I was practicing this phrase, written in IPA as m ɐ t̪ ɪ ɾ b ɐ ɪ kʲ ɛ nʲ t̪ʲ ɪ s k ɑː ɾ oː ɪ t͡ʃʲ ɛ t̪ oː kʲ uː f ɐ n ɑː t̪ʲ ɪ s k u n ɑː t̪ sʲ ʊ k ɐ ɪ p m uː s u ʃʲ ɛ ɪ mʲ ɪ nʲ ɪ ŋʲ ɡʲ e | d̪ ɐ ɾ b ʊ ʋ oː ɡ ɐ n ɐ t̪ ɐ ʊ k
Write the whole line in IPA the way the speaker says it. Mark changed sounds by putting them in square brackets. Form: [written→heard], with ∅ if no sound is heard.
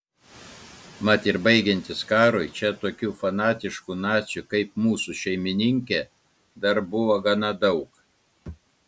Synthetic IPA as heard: m ɐ t̪ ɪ ɾ b ɐ ɪ [kʲ→ɡʲ] ɛ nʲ t̪ʲ ɪ s k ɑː ɾ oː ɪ t͡ʃʲ ɛ t̪ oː kʲ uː f ɐ n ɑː t̪ʲ ɪ [s→ʃ] k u n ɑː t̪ sʲ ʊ k ɐ ɪ p m uː s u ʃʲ ɛ ɪ mʲ ɪ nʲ ɪ ŋʲ [ɡʲ→kʲ] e | d̪ ɐ ɾ b ʊ ʋ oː ɡ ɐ n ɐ [t̪→d̪] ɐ ʊ k